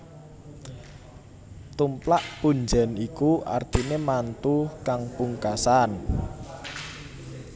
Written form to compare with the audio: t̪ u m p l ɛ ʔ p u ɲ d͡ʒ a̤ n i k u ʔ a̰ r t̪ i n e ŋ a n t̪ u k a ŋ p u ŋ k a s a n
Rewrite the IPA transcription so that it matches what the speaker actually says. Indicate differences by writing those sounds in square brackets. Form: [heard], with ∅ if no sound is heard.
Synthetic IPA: t̪ u m p l [a] ʔ p u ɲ d͡ʒ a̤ n i k u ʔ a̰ r t̪ i n e [m] a n t̪ u k a ŋ p u ŋ k a s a n